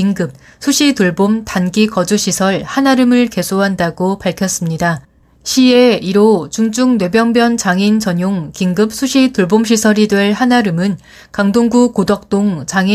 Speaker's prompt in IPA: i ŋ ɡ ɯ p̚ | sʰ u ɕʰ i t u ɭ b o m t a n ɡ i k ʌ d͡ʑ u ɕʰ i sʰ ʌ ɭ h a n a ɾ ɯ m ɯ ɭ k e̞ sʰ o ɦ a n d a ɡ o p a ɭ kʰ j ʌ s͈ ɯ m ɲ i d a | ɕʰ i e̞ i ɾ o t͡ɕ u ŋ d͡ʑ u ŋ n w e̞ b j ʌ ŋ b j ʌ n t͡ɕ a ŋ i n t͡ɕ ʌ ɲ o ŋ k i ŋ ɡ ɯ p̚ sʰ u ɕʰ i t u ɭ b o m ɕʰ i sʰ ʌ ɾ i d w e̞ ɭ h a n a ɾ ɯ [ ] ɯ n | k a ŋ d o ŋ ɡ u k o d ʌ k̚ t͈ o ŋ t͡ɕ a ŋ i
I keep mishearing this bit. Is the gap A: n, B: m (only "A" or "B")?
B